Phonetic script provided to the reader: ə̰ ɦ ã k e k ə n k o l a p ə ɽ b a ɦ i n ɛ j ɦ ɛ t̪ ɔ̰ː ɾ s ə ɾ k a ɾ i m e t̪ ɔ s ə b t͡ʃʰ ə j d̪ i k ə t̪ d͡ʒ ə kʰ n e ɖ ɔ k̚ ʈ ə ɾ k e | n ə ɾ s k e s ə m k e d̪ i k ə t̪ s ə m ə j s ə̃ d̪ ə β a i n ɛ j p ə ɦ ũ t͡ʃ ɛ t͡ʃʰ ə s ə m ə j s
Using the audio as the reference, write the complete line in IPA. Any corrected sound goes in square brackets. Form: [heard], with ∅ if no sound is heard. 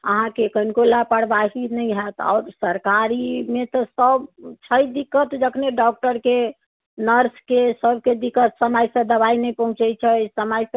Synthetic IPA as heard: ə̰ ɦ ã k e k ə n k o l a p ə ɽ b a ɦ i n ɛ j ɦ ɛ t̪ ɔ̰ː ɾ s ə ɾ k a ɾ i m e t̪ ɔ s ə b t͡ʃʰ ə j d̪ i k ə t̪ d͡ʒ ə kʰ n e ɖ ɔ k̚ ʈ ə ɾ k e | n ə ɾ s k e s ə [b] k e d̪ i k ə t̪ s ə m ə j s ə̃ d̪ ə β a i n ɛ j p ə ɦ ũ t͡ʃ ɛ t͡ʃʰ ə s ə m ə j s